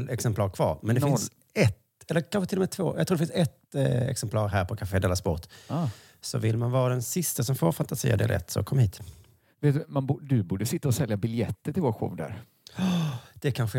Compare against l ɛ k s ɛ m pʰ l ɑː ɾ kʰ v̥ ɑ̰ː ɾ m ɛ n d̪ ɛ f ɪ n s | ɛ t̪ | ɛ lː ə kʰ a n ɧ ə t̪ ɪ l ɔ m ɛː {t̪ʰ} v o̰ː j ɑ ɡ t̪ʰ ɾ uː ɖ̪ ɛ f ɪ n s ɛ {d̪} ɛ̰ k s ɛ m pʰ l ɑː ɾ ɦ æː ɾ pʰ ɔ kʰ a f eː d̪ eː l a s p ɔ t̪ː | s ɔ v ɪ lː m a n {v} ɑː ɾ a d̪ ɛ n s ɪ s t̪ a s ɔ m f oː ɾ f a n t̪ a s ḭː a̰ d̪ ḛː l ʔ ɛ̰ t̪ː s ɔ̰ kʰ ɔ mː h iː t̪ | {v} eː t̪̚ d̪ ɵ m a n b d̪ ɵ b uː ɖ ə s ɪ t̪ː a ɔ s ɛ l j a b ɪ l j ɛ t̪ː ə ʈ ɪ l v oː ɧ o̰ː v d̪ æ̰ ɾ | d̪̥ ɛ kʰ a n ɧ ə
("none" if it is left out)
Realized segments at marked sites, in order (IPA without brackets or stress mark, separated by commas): t̪ʰ, t̪, v, v